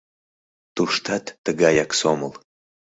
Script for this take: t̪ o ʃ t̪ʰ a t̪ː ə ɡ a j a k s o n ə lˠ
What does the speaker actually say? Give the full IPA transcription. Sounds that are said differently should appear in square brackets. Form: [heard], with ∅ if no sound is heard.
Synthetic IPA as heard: t̪ [u] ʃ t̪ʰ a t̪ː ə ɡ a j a k s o [m] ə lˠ

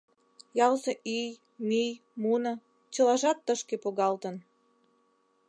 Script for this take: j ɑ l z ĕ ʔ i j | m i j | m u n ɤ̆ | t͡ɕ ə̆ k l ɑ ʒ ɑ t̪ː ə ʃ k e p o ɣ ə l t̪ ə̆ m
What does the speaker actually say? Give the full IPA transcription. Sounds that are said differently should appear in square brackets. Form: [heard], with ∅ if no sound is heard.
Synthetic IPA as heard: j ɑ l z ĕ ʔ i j | m i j | m u n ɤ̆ | t͡ɕ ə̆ [∅] l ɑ ʒ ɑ t̪ː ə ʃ k e p o ɣ [ɑ] l t̪ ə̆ [n]

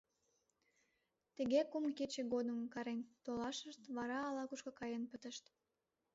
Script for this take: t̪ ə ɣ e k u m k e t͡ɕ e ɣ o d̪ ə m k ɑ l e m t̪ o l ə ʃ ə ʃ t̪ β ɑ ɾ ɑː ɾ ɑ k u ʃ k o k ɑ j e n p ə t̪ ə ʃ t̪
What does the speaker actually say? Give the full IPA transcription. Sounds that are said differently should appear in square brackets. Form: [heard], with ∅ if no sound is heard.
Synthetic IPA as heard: t̪ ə ɣ e k u m k e t͡ɕ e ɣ o d̪ ə m k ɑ [ɾ] e [n] t̪ o l [ɑ] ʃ ə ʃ t̪ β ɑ ɾ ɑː [l] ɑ k u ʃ k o k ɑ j e n p ə t̪ ə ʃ t̪

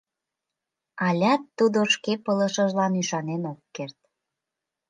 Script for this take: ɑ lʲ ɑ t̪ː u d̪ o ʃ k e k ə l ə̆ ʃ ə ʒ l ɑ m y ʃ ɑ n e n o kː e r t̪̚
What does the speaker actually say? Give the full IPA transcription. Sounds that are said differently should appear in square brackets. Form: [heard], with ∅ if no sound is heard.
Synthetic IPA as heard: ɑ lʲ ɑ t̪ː u d̪ o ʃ k e [p] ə l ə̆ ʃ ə ʒ l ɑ [n] y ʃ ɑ n e n o kː e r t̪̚

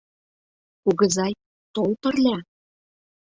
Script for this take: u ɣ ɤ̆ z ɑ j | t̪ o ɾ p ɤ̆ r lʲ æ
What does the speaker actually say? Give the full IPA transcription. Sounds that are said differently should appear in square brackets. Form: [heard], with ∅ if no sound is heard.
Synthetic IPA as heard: u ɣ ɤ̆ z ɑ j | t̪ o [l] p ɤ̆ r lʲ æ

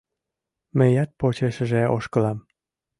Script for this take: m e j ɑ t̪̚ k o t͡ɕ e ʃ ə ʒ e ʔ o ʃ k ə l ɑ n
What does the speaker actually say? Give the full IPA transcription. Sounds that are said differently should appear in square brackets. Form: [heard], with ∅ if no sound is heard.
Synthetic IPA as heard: m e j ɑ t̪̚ [p] o t͡ɕ e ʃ ə ʒ e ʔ o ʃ k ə l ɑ [m]

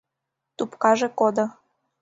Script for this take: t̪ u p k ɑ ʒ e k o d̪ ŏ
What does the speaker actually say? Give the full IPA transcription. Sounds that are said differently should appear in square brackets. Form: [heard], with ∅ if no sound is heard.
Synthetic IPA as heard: t̪ u p k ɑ ʒ e k o d̪ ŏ

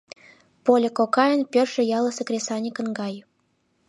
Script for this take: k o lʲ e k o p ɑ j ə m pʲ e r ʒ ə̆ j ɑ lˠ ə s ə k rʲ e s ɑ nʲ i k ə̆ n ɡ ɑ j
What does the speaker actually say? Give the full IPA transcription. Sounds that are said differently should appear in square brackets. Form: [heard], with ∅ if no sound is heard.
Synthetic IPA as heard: [p] o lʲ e k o [k] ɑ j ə [n] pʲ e r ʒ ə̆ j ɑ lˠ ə s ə k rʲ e s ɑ nʲ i k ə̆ n ɡ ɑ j

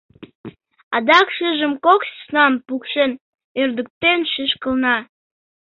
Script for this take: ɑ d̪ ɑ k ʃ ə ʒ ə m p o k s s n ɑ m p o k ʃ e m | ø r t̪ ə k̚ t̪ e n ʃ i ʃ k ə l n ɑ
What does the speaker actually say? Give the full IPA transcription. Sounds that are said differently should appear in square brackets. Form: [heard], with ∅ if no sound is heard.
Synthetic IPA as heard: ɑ d̪ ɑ k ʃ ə ʒ ə m [k] o k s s n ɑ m p [u] k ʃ e [n] | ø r [d̪] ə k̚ t̪ e n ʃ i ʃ k ə l n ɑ

